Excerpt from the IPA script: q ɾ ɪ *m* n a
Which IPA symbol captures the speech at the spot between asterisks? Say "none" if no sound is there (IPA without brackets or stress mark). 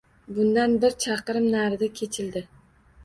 m